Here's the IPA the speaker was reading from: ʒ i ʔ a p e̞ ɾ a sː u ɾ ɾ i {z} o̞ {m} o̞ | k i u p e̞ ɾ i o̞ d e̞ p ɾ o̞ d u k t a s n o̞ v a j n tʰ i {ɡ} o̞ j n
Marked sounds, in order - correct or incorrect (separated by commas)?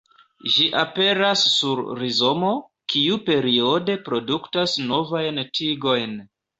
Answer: correct, correct, correct